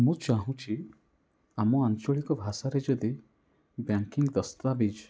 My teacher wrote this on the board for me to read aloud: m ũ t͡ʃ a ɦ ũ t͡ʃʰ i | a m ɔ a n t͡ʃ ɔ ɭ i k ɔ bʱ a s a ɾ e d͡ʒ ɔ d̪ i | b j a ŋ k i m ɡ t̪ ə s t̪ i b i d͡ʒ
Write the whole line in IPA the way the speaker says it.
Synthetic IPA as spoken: m ũ t͡ʃ a ɦ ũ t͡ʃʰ i | a m ɔ a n t͡ʃ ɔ ɭ i k ɔ bʱ a s a ɾ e d͡ʒ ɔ d̪ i | b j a ŋ k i ŋ ɡ d̪ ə s t̪ a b i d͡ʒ